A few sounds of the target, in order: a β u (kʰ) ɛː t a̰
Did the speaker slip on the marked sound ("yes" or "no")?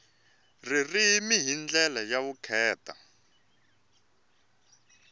no